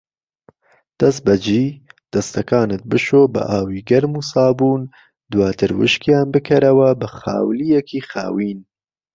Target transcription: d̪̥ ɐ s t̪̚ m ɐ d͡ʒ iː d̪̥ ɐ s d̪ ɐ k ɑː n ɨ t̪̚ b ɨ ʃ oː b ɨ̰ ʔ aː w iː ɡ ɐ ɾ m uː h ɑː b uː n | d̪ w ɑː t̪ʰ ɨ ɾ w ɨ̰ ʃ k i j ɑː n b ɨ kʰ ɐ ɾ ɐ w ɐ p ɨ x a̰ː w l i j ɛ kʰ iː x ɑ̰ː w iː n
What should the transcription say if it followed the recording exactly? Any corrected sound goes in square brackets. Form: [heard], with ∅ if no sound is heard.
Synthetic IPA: d̪̥ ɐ s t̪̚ [b] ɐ d͡ʒ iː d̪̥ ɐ s [t̪] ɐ k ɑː n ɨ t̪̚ b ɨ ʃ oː b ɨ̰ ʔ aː w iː ɡ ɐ ɾ m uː [s] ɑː b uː n | d̪ w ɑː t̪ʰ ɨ ɾ w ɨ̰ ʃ k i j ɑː n b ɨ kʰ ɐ ɾ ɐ w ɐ [b] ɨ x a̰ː w l i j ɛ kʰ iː x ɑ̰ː w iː n